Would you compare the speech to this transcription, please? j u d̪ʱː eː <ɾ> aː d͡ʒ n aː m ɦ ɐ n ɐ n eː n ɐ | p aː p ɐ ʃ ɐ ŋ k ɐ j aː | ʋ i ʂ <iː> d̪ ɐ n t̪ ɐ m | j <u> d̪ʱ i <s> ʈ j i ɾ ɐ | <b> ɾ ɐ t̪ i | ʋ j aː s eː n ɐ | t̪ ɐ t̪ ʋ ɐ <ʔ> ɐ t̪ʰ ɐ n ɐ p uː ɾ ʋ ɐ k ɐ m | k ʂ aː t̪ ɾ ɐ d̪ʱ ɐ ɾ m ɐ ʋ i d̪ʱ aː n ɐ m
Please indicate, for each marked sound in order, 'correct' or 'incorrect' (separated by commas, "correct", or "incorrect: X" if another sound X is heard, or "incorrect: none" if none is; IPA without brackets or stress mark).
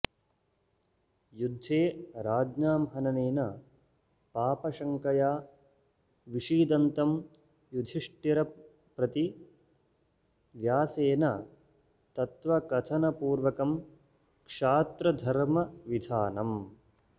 correct, correct, correct, incorrect: ʂ, incorrect: p, incorrect: k